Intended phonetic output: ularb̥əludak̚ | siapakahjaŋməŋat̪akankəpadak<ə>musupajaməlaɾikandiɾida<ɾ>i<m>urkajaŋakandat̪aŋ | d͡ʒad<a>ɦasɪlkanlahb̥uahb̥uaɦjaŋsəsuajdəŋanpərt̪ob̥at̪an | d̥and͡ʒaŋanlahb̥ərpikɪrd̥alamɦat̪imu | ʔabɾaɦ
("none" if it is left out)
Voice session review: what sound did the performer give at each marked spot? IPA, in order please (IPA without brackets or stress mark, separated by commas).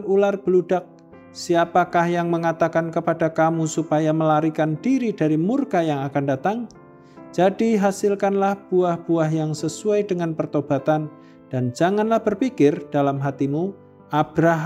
a, ɾ, m, i